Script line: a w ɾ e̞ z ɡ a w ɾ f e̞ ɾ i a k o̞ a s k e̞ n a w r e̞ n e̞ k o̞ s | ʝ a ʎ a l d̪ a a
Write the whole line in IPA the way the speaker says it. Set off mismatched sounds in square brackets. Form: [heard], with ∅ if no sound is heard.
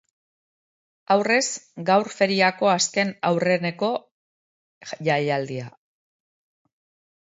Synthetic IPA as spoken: a w [r] e̞ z ɡ a w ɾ f e̞ ɾ i a k o̞ a s k e̞ n a w r e̞ n e̞ k o̞ [∅] | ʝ a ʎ a l d̪ [i] a

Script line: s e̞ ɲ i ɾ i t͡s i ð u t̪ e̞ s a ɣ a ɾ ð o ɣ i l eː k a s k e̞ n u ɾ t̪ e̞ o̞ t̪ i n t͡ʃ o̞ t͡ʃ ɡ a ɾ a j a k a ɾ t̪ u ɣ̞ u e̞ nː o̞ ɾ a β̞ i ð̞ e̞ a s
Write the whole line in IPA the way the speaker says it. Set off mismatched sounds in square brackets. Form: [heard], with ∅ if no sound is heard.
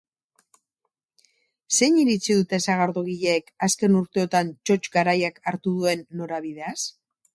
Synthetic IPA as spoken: s e̞ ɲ i ɾ i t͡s i ð u t̪ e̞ s a ɣ a ɾ ð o ɣ i [ʎ] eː k a s k e̞ n u ɾ t̪ e̞ o̞ t̪ [a] n t͡ʃ o̞ t͡ʃ ɡ a ɾ a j a k a ɾ t̪ u [ð̞] u e̞ nː o̞ ɾ a β̞ i ð̞ e̞ a s

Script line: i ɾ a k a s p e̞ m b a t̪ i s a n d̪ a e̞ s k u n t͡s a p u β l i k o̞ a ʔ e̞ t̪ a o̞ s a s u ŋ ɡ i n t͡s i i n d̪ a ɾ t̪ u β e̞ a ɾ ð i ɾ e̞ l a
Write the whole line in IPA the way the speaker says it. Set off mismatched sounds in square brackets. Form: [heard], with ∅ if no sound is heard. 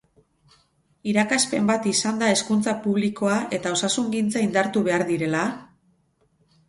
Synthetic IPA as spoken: i ɾ a k a s p e̞ m b a t̪ i s a n d̪ a e̞ s k u n t͡s a p u β l i k o̞ a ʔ e̞ t̪ a o̞ s a s u ŋ ɡ i n t͡s [a] i n d̪ a ɾ t̪ u β e̞ a ɾ ð i ɾ e̞ l a

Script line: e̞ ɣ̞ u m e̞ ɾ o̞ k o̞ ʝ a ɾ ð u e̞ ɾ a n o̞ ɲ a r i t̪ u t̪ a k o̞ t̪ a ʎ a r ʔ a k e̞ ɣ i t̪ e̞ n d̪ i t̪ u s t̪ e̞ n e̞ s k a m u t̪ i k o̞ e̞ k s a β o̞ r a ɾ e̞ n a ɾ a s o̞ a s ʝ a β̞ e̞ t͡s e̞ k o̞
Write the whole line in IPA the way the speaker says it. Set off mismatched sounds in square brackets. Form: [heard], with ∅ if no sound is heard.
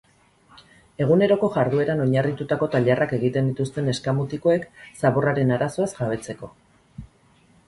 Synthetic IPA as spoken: e̞ ɣ̞ u [n] e̞ ɾ o̞ k o̞ ʝ a ɾ ð u e̞ ɾ a n o̞ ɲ a r i t̪ u t̪ a k o̞ t̪ a ʎ a r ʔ a k e̞ ɣ i t̪ e̞ n d̪ i t̪ u s t̪ e̞ n e̞ s k a m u t̪ i k o̞ e̞ k s a β o̞ r a ɾ e̞ n a ɾ a s o̞ a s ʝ a β̞ e̞ t͡s e̞ k o̞

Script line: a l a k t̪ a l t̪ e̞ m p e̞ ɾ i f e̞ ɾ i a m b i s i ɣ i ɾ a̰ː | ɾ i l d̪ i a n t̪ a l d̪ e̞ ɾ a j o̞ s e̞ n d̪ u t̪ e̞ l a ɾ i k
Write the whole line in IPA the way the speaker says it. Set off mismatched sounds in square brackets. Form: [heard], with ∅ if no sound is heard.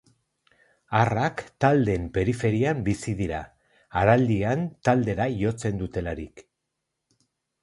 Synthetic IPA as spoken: a [r] a k t̪ a l [d̪] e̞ m p e̞ ɾ i f e̞ ɾ i a m b i s i [ð] i ɾ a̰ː | ɾ [a] l d̪ i a n t̪ a l d̪ e̞ ɾ a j o̞ [t͡s] e̞ n d̪ u t̪ e̞ l a ɾ i k

